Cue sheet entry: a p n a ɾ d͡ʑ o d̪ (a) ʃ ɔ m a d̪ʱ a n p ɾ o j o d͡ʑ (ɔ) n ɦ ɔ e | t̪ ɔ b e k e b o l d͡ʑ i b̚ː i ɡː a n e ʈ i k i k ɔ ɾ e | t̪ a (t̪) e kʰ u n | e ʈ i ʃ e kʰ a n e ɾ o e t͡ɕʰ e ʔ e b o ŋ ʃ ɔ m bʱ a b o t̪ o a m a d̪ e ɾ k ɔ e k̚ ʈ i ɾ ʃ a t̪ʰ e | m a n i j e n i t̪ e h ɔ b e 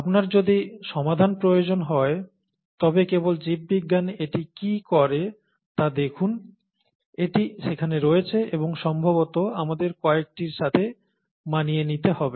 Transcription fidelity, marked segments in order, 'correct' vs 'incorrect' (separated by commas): incorrect, incorrect, incorrect